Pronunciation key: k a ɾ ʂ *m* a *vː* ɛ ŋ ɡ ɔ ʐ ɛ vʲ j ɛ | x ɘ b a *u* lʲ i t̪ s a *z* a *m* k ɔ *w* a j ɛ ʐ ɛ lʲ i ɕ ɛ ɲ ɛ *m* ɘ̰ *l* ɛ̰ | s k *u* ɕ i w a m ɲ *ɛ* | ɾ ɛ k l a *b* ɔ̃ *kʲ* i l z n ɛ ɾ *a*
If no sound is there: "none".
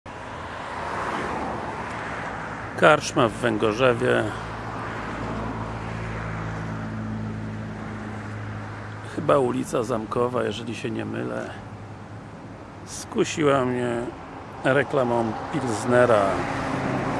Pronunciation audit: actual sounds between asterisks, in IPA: m, vː, u, z, m, v, m, l, u, ɛ, m, pʲ, a

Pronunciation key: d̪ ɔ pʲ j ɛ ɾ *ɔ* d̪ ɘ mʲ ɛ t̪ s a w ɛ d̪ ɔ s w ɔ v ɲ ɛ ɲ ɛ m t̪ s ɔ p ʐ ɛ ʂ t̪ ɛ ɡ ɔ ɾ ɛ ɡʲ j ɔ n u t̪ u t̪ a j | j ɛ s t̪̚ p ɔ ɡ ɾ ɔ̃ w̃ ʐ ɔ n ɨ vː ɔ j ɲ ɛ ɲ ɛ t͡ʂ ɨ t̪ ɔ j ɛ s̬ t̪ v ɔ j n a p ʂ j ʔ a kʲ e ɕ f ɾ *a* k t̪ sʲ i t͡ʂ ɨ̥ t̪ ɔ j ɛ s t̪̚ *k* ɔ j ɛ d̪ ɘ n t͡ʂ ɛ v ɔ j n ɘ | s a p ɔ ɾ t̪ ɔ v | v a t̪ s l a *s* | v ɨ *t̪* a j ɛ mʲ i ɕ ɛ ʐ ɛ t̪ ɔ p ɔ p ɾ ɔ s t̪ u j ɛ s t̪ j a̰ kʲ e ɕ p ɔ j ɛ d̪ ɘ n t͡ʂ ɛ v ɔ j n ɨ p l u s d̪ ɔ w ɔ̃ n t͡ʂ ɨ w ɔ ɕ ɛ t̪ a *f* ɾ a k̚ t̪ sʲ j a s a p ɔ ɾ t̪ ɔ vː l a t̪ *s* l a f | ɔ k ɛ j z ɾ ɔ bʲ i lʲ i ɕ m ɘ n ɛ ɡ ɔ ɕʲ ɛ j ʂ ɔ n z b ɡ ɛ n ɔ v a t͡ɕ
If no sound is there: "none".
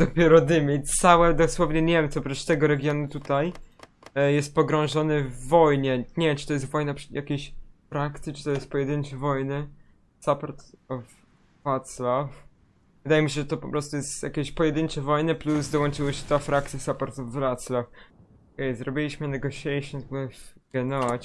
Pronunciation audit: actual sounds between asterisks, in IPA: ɔ, a, p, f, d̪, f, s

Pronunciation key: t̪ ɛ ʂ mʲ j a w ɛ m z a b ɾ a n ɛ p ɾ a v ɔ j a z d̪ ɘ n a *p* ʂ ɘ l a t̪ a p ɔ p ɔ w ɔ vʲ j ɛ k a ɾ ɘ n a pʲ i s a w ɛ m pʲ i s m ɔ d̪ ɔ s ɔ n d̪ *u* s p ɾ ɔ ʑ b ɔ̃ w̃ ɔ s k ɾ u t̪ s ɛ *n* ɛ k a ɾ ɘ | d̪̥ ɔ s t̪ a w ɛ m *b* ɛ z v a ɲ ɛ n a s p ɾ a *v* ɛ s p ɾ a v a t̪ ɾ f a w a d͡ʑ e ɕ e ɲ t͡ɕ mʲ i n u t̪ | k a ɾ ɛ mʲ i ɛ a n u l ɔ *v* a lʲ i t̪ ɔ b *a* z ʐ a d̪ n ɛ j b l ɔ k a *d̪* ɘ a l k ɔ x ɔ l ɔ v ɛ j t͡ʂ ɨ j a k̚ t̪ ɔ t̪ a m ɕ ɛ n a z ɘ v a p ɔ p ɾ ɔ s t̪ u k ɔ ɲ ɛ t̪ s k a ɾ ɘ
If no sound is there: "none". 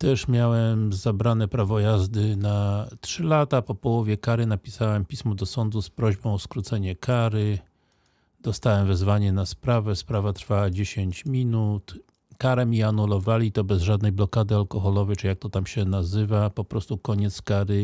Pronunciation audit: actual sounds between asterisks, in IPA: t, u, ɲ, v, v, v, ɛ, d̪

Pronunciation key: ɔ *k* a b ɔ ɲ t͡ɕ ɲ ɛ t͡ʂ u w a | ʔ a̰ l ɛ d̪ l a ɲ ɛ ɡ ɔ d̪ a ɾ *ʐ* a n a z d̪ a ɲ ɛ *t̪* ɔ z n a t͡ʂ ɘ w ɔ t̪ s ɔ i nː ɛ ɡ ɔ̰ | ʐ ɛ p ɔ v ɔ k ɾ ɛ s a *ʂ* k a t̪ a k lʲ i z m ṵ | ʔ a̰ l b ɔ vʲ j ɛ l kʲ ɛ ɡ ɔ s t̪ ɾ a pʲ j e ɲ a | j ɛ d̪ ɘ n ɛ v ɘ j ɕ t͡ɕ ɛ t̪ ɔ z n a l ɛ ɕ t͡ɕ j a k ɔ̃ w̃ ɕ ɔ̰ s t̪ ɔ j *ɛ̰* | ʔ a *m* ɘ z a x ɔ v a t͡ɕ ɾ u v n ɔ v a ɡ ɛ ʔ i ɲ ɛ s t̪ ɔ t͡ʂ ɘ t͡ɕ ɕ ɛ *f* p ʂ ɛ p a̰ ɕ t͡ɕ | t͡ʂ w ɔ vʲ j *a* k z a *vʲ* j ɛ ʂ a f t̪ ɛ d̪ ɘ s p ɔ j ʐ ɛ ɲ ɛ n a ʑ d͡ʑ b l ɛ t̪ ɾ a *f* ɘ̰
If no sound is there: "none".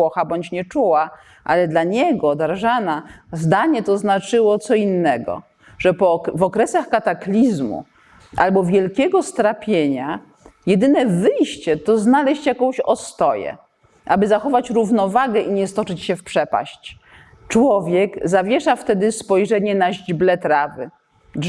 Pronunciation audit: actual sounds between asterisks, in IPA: x, ʐ, t̪, x, ɛ̰, b, f, ɛ, vʲ, v

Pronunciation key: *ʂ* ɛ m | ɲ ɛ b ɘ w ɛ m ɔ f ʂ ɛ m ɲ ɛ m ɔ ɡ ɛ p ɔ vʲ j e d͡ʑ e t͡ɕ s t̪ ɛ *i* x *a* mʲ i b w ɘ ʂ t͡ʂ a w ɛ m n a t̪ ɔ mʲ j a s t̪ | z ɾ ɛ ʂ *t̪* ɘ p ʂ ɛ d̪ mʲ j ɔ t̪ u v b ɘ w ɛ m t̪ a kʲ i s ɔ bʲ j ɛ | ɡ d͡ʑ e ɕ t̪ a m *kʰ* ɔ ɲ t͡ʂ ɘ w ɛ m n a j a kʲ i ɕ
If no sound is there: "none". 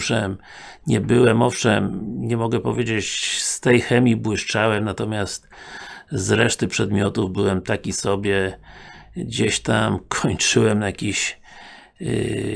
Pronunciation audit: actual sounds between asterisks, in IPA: ʂ, j, ɛ, t̪, kʰ

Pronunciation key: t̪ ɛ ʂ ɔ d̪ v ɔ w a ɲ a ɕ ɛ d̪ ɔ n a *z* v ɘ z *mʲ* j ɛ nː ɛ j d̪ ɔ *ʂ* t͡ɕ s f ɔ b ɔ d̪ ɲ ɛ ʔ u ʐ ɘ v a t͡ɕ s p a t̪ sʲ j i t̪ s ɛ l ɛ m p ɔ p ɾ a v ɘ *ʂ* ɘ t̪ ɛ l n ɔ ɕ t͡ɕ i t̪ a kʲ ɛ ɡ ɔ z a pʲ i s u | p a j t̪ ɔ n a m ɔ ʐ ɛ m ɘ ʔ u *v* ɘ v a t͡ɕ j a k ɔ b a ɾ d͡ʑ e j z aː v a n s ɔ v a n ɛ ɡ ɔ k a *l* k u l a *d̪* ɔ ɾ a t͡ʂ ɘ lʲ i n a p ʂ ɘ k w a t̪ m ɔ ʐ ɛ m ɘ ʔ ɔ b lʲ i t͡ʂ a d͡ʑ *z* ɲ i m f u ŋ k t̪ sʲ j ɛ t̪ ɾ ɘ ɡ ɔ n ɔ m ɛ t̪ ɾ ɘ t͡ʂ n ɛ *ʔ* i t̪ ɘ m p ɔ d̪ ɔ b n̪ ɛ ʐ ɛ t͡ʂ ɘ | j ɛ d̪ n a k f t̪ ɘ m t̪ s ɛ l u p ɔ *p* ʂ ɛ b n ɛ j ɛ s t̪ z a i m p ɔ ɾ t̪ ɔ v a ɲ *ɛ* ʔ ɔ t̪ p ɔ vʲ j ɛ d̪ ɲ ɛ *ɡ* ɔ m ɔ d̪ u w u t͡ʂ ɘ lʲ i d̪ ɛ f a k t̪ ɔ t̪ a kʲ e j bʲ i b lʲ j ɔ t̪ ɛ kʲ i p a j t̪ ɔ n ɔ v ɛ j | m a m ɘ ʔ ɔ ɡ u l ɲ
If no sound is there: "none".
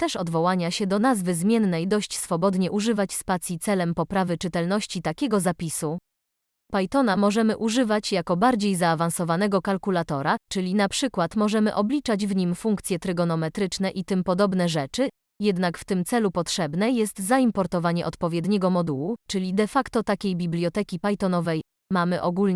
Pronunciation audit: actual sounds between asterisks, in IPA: z, mʲ, ɕ, t͡ʂ, ʐ, l, t̪, v, ʔ, t, ɛ, ɡ

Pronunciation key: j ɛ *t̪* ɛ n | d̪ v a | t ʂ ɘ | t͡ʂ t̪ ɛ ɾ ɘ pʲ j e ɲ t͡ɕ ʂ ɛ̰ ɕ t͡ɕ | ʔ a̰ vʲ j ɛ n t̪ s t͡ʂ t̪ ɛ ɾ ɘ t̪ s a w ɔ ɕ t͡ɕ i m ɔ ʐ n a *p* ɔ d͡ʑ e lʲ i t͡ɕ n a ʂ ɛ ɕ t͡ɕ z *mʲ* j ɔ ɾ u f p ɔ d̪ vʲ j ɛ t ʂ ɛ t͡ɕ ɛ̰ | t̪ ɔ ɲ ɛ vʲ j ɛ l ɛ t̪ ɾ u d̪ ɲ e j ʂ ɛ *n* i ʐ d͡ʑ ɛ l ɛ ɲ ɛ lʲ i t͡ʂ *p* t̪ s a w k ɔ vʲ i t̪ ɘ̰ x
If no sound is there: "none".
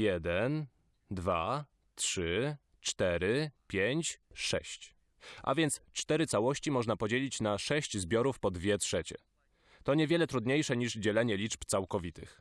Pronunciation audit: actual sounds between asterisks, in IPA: d̪, p, bʲ, ɲ, p

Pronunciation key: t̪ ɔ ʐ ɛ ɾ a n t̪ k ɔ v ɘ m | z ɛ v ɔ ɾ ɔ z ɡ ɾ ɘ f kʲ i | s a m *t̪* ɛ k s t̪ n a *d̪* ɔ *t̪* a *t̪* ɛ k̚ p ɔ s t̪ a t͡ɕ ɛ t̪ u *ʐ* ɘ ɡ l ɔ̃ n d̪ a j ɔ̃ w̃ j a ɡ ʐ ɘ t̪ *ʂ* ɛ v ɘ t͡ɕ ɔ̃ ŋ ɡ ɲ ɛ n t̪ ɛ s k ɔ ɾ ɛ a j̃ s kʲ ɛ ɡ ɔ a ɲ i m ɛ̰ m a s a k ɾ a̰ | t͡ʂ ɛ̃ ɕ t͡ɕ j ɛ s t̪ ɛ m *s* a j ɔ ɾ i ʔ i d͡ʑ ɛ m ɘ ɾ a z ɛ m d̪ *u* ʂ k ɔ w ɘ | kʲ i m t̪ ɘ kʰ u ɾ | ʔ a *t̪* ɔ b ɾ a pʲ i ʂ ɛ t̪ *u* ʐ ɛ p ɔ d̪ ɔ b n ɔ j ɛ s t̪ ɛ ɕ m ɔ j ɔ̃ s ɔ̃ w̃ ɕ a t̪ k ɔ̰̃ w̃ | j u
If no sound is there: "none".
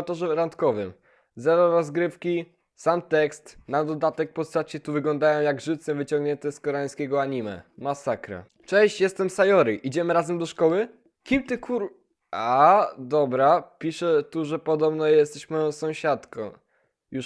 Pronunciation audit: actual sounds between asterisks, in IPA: t̪, d̪, d̪, t̪, v, s, s, ɔ, d̪, u

